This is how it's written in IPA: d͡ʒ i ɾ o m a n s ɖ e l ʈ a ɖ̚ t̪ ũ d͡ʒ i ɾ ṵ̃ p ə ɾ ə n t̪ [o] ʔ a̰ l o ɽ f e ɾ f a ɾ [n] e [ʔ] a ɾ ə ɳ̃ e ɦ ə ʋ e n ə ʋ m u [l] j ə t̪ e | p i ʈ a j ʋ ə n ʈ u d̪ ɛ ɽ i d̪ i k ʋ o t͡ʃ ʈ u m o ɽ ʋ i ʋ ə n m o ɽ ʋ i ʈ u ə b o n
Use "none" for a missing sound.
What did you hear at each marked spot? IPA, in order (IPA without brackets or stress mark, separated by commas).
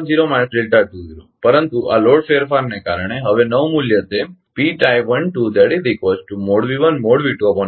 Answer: u, n, k, l